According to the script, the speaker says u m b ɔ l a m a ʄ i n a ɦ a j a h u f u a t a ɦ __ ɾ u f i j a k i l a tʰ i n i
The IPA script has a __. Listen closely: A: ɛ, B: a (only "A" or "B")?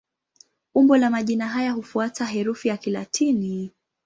A